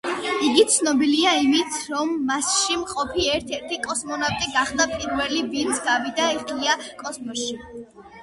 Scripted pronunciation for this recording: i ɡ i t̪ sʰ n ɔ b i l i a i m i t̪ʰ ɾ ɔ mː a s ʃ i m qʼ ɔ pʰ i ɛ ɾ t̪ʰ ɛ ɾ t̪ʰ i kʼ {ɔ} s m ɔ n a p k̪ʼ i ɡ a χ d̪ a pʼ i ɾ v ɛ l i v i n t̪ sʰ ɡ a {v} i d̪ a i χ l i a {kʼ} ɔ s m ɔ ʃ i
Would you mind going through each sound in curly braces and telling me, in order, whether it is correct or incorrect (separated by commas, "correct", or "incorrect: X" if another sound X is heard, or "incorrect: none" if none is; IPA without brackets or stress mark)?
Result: correct, correct, correct